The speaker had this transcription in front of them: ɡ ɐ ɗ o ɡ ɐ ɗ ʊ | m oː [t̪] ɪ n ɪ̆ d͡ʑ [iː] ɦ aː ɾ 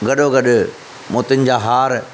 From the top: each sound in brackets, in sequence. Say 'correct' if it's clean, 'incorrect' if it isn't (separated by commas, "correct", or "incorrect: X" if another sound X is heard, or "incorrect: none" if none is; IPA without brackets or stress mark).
correct, incorrect: aː